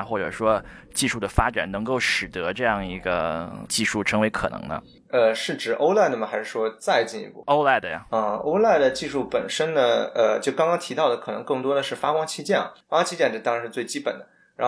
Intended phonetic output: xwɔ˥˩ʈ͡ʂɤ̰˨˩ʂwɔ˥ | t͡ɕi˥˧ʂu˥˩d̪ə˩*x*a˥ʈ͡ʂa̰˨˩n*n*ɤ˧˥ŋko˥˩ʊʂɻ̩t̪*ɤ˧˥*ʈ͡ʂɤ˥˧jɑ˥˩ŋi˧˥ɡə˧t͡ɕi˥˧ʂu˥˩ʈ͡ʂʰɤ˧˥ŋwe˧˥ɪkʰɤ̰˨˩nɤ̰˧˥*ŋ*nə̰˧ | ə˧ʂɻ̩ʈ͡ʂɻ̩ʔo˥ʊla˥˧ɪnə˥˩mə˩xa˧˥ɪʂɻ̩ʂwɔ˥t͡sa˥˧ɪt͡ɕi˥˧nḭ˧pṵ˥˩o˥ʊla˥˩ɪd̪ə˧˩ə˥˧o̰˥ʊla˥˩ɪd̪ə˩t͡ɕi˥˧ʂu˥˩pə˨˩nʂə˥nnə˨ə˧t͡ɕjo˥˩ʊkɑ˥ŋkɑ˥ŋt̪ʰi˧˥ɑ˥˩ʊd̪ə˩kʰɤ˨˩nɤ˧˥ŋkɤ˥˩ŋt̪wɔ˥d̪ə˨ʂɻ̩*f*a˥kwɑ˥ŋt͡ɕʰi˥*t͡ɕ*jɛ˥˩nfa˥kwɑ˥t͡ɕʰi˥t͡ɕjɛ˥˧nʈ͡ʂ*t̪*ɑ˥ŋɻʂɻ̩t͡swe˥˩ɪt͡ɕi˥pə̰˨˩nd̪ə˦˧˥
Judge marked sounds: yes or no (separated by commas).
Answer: no, yes, yes, yes, yes, yes, yes